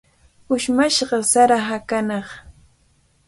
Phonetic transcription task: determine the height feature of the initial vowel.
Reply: high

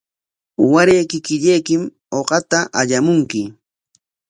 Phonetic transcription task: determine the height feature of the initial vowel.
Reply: low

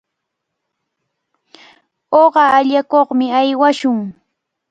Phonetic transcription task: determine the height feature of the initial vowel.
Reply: mid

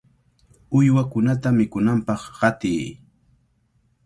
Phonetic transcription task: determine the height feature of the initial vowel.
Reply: high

